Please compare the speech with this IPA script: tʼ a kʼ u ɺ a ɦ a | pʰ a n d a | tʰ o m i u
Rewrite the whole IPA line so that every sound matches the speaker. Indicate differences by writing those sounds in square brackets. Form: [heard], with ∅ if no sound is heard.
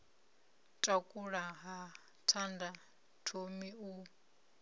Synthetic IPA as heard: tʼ a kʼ u ɺ a ɦ a | [tʰ] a n d a | tʰ o m i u